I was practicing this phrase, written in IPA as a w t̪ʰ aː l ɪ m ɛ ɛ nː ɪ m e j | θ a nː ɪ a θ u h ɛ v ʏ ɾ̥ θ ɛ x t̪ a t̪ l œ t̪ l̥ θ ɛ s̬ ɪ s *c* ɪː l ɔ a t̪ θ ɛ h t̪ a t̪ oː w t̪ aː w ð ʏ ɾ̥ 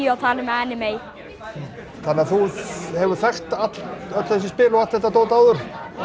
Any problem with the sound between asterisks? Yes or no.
yes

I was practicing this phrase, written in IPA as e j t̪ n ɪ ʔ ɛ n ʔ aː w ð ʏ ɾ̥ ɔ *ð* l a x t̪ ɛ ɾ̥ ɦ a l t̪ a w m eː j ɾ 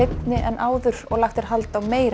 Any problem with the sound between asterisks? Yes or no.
yes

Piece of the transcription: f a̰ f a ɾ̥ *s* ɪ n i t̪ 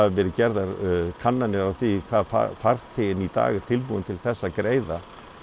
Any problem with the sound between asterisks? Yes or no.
yes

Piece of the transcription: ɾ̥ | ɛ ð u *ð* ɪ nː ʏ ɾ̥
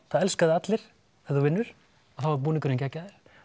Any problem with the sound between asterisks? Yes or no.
yes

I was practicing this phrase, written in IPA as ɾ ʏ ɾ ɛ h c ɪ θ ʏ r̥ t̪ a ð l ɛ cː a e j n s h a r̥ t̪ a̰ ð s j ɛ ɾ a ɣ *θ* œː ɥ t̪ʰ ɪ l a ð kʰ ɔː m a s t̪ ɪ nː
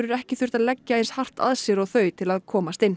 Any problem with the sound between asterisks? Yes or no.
no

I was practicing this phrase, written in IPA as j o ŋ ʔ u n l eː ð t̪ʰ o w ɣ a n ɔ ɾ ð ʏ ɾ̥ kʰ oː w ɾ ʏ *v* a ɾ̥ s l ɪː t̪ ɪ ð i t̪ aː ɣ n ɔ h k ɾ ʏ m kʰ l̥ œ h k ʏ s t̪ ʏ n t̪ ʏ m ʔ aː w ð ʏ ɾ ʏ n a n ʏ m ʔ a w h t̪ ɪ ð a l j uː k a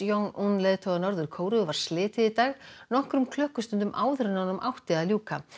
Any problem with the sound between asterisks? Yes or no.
no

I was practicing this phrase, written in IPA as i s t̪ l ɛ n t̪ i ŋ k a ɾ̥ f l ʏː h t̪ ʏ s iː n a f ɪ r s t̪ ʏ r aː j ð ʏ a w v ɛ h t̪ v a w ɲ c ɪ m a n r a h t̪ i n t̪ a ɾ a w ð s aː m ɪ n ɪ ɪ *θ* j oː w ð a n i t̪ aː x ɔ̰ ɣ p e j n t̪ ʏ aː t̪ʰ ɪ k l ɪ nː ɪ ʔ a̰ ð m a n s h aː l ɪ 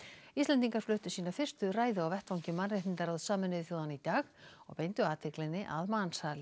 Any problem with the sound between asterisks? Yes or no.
no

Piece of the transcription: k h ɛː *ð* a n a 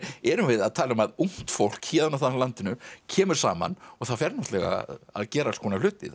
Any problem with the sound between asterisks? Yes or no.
no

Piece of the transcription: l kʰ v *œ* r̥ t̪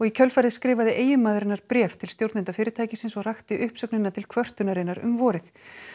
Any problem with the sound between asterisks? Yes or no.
no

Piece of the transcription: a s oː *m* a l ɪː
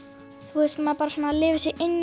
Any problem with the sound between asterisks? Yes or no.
yes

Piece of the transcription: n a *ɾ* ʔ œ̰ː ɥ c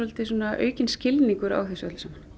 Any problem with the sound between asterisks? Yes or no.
yes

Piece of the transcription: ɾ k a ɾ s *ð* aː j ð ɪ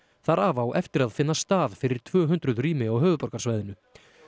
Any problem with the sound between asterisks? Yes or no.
yes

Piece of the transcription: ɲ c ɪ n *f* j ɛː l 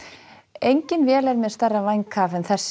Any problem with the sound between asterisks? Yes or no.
yes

